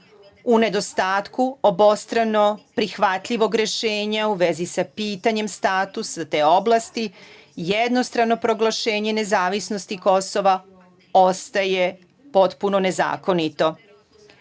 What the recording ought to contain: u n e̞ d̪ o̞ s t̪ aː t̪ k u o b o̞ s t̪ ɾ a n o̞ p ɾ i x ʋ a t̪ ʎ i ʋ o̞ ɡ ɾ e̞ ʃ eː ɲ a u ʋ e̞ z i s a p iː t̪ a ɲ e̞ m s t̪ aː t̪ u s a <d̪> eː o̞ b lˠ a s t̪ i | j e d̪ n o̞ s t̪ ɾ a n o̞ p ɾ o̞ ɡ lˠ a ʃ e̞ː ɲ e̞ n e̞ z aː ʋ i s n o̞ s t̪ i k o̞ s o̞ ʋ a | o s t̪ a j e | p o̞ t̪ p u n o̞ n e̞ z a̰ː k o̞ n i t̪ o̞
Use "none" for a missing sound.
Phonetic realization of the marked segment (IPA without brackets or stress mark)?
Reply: t̪